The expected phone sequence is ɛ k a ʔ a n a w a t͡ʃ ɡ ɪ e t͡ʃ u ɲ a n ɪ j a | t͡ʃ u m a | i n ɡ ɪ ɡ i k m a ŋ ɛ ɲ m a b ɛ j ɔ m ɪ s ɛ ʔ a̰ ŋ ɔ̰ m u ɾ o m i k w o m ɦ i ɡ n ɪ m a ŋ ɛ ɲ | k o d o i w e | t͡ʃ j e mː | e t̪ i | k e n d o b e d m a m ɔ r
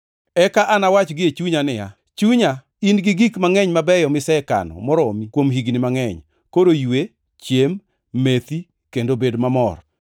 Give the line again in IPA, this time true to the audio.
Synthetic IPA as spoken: ɛ k a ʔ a n a w a t͡ʃ ɡ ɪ e t͡ʃ u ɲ a n ɪ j a | t͡ʃ u ɲ a | i n ɡ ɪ ɡ i k m a ŋ ɛ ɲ m a b ɛ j ɔ m ɪ s ɛ k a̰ n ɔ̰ m ɔ ɾ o m i k w o m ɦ i ɡ n ɪ m a ŋ ɛ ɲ | k o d o j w e | t͡ʃ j e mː | e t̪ i | k e n d o b e d m a m ɔ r